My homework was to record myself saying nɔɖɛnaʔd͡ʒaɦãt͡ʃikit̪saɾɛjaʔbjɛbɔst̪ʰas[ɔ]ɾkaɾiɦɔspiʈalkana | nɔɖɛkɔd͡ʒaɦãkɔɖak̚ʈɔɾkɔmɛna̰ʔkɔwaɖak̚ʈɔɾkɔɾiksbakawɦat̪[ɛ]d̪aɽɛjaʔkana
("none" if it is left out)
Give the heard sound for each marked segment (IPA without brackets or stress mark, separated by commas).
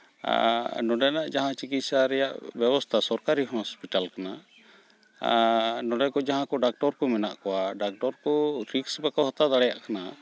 ɔ, a